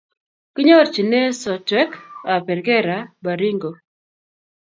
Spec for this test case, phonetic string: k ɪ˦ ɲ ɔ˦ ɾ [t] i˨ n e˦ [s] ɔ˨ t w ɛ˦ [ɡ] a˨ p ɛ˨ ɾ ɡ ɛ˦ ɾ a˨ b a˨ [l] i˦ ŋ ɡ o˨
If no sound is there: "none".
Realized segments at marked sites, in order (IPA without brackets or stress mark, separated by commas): t͡ʃ, s, k, ɾ